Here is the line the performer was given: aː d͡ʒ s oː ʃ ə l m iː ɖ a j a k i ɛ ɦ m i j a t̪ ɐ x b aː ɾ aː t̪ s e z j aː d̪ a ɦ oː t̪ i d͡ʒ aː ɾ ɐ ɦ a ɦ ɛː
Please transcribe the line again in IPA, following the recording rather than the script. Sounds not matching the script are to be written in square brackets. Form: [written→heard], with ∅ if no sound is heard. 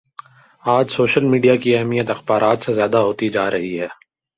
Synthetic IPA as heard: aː d͡ʒ s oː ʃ ə l m iː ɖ [a→i] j a k i ɛ ɦ m i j [a→ə] t̪ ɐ x b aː ɾ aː t̪ s e z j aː d̪ a ɦ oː t̪ i d͡ʒ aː ɾ ɐ ɦ [a→i] ɦ ɛː